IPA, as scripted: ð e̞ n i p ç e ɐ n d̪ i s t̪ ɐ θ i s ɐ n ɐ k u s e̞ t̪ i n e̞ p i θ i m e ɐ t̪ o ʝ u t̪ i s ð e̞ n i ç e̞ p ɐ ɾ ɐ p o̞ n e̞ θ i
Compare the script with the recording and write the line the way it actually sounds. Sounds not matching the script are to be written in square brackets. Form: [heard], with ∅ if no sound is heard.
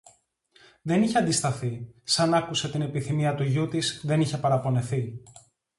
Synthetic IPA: ð e̞ n i [∅] ç e ɐ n d̪ i s t̪ ɐ θ i s ɐ n ɐ k u s e̞ t̪ i n e̞ p i θ i m [i] ɐ t̪ [u] ʝ u t̪ i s ð e̞ n i ç e̞ p ɐ ɾ ɐ p o̞ n e̞ θ i